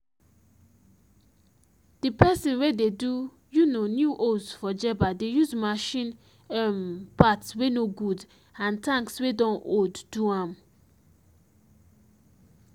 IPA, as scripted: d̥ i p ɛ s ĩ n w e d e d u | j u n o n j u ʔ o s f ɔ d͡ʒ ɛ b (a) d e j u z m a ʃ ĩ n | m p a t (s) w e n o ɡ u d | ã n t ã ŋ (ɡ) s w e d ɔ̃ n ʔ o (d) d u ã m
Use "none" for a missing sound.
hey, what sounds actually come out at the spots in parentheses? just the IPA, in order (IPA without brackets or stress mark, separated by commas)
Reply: a, s, k, d